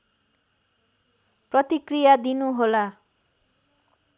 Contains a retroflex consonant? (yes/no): no